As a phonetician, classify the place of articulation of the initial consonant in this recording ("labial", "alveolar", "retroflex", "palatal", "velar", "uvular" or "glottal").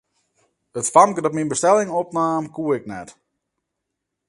alveolar